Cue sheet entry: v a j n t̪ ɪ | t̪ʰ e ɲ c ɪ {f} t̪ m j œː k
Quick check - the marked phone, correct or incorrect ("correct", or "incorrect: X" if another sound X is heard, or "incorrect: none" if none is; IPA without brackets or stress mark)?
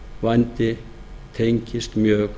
incorrect: s